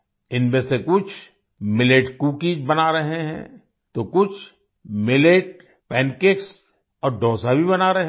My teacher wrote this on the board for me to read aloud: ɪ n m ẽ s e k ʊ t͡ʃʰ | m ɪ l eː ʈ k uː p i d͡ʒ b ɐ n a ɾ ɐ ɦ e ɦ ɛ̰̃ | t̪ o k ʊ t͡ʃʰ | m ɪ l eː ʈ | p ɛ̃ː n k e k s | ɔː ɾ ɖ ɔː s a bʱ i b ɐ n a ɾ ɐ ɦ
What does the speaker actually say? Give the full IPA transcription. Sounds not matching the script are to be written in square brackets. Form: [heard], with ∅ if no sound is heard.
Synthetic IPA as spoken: ɪ n m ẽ s e k ʊ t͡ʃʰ | m ɪ l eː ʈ k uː [k] i d͡ʒ b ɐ n a ɾ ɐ ɦ e ɦ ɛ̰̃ | t̪ o k ʊ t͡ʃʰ | m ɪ l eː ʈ | p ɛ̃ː n k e k s | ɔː ɾ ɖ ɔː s a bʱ i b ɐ n a ɾ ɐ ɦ